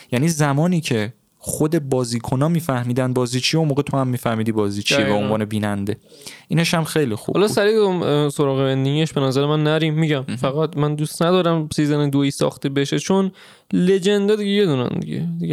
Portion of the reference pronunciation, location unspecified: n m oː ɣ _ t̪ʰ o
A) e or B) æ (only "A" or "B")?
A